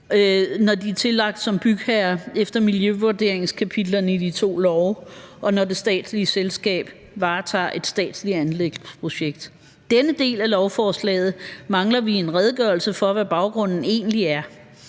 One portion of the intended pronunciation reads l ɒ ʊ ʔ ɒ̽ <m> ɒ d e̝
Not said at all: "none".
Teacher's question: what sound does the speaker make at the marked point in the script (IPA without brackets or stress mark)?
n